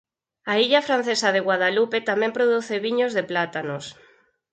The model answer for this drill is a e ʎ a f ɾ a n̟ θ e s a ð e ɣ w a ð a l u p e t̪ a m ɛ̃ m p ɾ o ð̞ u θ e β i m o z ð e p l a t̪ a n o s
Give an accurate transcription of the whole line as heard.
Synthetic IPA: a i ʎ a f ɾ a n̟ θ e s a ð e ɣ w a ð a l u p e t̪ a m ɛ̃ m p ɾ o ð̞ u θ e β i ɲ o z ð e p l a t̪ a n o s